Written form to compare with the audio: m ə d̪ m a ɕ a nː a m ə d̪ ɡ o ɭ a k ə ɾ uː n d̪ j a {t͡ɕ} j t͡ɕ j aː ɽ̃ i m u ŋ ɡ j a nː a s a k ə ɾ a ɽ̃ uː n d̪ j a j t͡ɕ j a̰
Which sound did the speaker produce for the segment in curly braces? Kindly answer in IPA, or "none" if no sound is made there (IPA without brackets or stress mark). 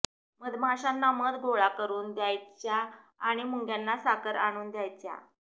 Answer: none